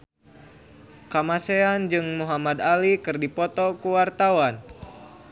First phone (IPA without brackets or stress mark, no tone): k